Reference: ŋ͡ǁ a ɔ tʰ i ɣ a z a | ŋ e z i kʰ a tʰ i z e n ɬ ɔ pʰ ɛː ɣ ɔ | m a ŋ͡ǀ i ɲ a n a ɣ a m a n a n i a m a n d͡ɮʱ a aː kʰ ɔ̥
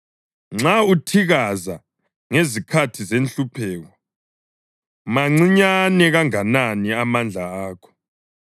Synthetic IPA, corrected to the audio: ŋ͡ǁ a u tʰ i ɣ a z a | ŋ e z i kʰ a tʰ i z e n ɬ u pʰ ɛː ɣ ɔ | m a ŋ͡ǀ i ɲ a n ɛ ɣ a ŋ a n a n i a m a n d͡ɮʱ a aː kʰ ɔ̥